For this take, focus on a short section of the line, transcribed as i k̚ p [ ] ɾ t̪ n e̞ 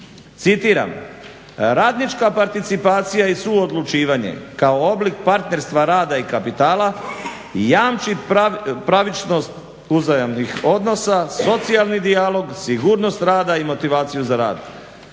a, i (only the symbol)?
a